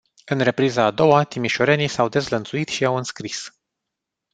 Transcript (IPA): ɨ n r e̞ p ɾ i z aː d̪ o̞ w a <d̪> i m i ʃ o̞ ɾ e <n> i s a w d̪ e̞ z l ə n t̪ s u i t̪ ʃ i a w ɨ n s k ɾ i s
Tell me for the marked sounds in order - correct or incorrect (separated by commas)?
incorrect, correct